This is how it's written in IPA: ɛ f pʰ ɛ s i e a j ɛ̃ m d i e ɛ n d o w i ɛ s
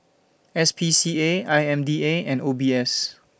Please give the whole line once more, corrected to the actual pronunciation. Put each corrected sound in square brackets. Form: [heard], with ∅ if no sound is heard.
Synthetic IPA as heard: ɛ [s] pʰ [i] s i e a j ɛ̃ m d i e [ɛ̃] n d o [b] i ɛ s